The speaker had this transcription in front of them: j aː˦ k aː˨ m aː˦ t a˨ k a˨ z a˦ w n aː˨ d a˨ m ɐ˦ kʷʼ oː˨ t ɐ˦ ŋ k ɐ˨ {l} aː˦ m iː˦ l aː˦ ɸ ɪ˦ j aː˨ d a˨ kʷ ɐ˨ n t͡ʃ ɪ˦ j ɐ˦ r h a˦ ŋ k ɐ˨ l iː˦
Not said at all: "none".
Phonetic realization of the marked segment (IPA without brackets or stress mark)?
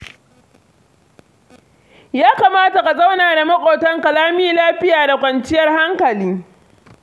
l